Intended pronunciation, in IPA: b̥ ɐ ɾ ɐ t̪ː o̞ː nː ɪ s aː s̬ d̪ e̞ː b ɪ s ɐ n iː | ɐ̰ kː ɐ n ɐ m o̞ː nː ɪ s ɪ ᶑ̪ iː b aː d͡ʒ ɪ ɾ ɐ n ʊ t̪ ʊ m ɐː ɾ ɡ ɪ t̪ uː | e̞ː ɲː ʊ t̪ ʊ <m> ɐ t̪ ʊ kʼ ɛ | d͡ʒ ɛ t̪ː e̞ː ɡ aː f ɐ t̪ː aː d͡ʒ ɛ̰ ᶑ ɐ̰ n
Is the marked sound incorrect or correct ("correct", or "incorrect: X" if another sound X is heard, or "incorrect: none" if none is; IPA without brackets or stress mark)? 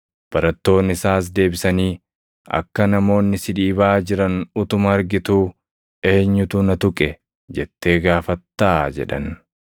incorrect: n